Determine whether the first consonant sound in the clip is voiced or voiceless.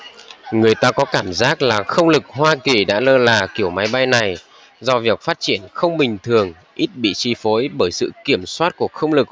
voiced